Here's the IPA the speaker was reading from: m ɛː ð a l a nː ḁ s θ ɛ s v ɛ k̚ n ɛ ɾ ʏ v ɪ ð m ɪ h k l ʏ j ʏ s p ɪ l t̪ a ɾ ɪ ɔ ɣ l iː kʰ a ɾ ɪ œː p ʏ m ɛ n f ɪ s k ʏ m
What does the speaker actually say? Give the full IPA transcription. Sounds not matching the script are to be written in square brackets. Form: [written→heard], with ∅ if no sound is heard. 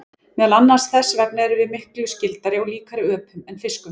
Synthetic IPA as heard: m ɛː ð a l a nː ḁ s θ ɛ s v ɛ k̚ n ɛ ɾ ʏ v ɪ ð m ɪ h k l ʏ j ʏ s [p→c] ɪ l t̪ a ɾ ɪ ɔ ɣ l iː [kʰ→k] a ɾ ɪ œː p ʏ m ɛ n f ɪ s k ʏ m